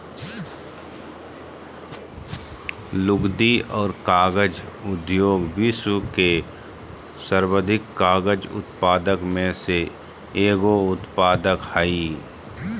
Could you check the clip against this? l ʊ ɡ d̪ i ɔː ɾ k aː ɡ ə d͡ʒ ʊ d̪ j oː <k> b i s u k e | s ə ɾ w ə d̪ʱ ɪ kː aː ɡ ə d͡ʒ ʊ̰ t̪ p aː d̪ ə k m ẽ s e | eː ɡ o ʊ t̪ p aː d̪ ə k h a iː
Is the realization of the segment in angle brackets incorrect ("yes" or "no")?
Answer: yes